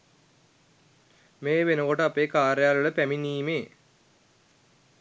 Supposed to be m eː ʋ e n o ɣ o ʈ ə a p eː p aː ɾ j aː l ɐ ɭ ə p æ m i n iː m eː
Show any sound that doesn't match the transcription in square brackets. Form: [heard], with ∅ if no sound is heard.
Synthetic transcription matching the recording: m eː ʋ e n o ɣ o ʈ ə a p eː [k] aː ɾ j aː l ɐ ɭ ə p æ m i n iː m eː